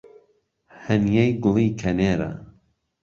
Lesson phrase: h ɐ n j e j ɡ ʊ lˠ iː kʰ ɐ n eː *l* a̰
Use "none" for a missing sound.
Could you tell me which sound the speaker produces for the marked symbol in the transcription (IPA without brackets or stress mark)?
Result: ɾ